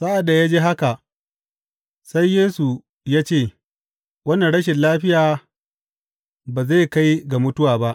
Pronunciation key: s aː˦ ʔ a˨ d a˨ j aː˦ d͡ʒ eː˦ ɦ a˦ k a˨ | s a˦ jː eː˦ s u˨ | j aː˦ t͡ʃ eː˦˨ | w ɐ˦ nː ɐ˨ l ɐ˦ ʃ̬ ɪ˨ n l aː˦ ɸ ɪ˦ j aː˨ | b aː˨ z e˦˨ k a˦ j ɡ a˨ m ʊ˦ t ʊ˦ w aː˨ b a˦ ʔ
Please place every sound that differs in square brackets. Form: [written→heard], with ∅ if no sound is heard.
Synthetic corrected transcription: s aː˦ ʔ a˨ d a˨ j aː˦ d͡ʒ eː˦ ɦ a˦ k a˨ | s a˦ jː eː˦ s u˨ | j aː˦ t͡ʃ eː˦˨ | w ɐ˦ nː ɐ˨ [l→ɽ] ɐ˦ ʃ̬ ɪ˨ n l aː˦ ɸ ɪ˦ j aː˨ | b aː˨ z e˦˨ k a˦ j ɡ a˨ m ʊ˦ t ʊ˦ w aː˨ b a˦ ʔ